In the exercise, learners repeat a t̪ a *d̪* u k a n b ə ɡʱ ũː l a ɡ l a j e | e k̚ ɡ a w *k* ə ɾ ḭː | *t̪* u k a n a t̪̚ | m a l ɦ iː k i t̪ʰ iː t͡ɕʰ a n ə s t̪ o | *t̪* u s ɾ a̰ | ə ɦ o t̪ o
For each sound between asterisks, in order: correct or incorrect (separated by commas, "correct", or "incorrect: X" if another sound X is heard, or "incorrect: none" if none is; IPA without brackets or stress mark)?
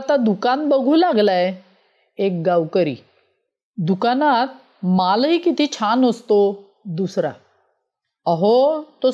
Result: correct, correct, incorrect: d̪, incorrect: d̪